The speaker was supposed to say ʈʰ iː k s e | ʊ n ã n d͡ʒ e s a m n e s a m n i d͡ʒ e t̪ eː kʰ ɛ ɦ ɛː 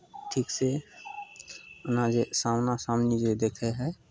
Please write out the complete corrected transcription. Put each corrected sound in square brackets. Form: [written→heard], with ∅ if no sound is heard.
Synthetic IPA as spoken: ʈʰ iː k s e | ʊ n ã [n→∅] d͡ʒ e s a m n [e→a] s a m n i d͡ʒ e [t̪→d̪] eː kʰ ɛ ɦ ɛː